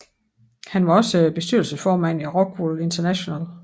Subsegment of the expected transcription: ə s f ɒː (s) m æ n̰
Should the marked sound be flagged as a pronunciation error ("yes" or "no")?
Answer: yes